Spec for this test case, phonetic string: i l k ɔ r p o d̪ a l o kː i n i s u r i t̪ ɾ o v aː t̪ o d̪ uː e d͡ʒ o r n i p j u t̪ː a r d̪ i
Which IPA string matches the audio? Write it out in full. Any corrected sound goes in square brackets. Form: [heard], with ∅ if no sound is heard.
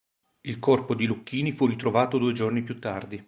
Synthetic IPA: i l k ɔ r p o d̪ [i] l [u] kː [iː] n i [f] u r i t̪ ɾ o v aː t̪ o d̪ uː e d͡ʒ o r n i p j u t̪ː a r d̪ i